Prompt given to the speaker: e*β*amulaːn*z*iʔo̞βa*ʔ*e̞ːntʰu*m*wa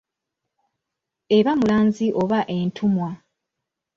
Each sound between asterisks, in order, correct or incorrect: correct, correct, correct, correct

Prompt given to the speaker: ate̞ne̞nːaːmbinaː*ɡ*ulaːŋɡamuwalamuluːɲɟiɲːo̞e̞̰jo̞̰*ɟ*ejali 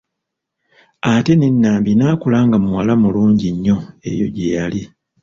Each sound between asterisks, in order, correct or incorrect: incorrect, correct

